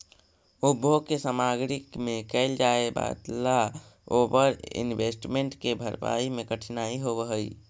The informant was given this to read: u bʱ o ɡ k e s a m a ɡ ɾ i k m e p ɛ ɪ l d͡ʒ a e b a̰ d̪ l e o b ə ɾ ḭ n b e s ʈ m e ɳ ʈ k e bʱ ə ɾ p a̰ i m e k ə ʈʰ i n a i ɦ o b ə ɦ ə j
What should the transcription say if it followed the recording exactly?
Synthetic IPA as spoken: u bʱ o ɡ k e s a m a ɡ ɾ i k m e k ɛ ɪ l d͡ʒ a e b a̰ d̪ l a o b ə ɾ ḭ n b e s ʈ m e ɳ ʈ k e bʱ ə ɾ p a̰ i m e k ə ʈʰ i n a i ɦ o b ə ɦ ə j